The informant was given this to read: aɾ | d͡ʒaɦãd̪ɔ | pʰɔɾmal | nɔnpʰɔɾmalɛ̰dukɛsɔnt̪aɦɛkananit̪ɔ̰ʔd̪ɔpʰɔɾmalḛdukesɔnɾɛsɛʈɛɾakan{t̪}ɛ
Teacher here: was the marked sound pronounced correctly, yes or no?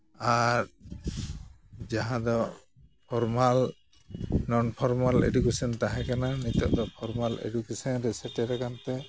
yes